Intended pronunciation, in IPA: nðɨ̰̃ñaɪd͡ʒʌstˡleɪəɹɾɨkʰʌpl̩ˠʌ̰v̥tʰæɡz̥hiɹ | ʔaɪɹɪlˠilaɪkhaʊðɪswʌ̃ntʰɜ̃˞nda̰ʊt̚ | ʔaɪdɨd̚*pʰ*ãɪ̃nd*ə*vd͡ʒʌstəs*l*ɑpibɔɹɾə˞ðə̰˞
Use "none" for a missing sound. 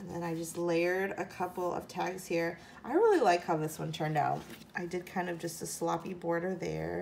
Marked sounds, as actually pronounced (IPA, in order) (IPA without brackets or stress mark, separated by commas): kʰ, ʌ, l